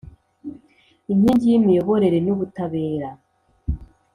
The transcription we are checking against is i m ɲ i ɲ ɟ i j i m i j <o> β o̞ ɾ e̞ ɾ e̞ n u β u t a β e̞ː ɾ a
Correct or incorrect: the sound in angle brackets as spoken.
correct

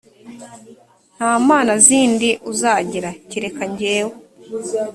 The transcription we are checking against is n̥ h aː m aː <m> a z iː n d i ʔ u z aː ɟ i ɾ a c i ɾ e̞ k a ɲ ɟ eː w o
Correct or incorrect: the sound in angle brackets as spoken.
incorrect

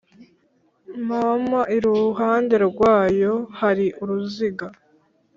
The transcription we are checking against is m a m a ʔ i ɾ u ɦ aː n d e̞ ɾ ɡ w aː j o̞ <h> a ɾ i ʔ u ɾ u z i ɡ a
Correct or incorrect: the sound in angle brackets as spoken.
correct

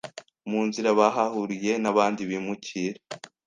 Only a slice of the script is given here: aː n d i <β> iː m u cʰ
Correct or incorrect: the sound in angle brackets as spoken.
correct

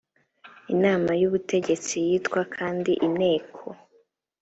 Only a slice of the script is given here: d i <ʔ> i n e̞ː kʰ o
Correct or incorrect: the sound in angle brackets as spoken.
correct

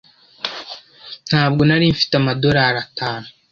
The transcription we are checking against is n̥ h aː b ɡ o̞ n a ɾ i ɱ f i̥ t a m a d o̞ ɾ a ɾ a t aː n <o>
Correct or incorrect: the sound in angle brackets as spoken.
incorrect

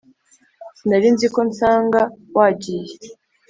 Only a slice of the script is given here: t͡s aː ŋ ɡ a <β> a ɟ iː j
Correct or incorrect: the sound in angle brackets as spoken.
incorrect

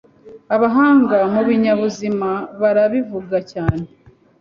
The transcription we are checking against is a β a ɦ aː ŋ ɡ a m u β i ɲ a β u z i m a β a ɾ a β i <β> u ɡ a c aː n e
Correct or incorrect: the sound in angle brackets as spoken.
incorrect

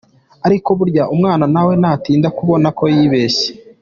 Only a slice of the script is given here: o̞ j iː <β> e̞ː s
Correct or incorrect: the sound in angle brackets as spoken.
correct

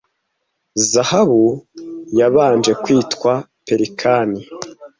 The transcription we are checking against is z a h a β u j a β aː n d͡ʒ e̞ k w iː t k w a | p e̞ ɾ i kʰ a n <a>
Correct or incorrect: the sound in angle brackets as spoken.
incorrect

